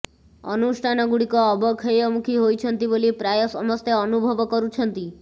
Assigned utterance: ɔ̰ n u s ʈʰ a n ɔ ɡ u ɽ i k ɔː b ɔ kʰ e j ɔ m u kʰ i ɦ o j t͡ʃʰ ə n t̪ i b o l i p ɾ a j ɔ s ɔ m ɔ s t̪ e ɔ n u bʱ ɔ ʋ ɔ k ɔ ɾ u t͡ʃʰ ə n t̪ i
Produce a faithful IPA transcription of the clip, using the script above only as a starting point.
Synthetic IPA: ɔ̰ n u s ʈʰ a n ɔ ɡ u ɽ i k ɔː b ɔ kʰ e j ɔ m u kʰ i ɦ o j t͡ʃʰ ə n t̪ i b o l i p ɾ a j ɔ s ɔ m ɔ s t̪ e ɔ n u bʱ ɔ ʋ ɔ k ɔ ɾ u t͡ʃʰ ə n t̪ i